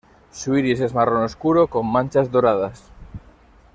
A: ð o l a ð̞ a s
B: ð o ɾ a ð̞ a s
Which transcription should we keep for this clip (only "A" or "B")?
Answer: B